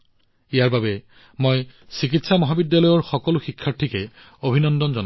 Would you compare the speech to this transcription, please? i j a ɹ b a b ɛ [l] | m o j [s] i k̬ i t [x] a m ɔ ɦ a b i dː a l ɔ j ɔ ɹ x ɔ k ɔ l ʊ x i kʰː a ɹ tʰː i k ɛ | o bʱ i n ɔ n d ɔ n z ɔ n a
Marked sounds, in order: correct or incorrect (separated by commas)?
incorrect, correct, incorrect